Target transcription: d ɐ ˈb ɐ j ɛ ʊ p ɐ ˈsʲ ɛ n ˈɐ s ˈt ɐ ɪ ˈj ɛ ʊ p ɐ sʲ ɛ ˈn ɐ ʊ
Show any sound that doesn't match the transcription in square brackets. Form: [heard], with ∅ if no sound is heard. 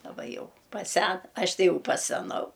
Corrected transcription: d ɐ ˈb ɐ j ɛ ʊ p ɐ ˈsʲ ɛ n ˈɐ [ʃ] ˈt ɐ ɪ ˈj ɛ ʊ p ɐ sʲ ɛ ˈn ɐ ʊ